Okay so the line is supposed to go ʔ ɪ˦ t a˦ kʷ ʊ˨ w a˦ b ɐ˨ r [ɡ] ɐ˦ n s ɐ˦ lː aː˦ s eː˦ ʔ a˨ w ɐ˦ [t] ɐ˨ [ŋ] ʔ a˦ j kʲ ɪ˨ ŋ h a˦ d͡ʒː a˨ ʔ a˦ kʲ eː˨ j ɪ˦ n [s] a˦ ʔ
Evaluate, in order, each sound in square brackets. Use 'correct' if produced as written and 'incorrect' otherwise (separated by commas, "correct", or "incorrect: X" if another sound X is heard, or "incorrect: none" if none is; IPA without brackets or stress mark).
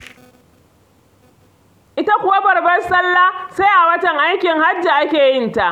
incorrect: b, correct, correct, incorrect: t